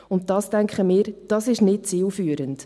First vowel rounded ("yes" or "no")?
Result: yes